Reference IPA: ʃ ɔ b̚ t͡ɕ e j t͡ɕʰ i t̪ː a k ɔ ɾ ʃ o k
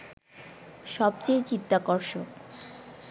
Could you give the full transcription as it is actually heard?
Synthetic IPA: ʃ ɔ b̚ t͡ɕ e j t͡ɕ i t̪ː a k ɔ ɾ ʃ o k